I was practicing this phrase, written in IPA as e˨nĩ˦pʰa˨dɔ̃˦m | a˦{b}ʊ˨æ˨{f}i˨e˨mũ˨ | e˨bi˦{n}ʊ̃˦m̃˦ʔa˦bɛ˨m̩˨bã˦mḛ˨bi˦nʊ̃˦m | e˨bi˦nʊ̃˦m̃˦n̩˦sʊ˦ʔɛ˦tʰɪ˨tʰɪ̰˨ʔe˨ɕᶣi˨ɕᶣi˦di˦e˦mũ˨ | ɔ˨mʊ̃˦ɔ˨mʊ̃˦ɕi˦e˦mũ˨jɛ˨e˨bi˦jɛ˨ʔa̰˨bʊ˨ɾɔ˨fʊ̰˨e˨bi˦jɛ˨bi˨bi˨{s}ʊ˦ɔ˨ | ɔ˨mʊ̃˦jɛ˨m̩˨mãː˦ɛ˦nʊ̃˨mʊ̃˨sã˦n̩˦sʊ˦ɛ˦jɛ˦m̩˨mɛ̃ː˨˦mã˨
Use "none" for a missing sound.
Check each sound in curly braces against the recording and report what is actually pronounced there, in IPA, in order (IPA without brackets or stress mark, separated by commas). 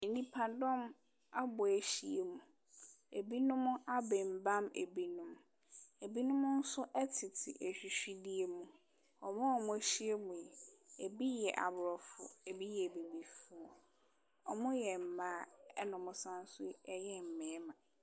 b, ɕ, n, f